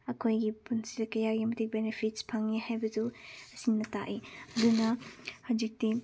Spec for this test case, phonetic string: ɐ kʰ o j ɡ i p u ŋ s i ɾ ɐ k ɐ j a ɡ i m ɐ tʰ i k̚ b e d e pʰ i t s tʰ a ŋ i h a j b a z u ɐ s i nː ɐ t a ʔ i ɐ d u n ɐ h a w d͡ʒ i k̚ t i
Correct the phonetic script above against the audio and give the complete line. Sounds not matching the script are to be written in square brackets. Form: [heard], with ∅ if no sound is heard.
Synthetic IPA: ɐ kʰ o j ɡ i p u [n] s i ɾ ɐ k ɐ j a ɡ i m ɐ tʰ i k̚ b e [n] e pʰ i t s [pʰ] a ŋ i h a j b [ɐ] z u ɐ s i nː ɐ t a ʔ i ɐ d u n ɐ h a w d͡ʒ i k̚ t i